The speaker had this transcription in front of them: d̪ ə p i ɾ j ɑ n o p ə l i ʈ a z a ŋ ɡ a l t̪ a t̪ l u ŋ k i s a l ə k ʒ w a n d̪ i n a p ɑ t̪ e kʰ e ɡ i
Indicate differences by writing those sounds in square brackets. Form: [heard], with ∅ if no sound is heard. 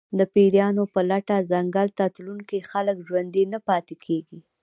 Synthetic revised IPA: d̪ ə p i ɾ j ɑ n o p ə l [a] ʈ a z a ŋ ɡ a l t̪ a t̪ l u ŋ k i [x] a l ə k ʒ w a n d̪ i n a p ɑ t̪ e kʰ e ɡ i